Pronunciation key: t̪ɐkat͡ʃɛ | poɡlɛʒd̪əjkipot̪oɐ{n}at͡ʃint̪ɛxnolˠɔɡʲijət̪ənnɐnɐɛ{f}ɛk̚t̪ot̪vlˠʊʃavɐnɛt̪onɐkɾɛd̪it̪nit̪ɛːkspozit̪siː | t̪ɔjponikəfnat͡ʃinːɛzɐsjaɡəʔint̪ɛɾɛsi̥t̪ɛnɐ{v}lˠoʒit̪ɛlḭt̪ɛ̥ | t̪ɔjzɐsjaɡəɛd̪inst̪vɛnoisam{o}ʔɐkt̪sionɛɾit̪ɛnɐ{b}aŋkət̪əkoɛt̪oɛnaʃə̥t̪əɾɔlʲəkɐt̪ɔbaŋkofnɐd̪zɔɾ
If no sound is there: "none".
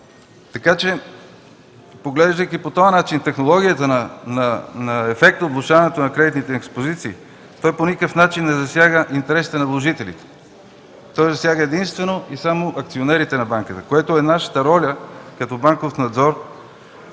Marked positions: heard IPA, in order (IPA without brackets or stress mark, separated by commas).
n, f, v, o, b